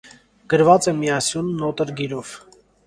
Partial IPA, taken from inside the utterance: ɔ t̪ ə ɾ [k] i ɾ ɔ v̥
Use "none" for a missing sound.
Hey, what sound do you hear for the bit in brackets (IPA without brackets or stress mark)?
ɡ